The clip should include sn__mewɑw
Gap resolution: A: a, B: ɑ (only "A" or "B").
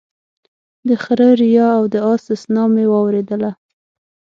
B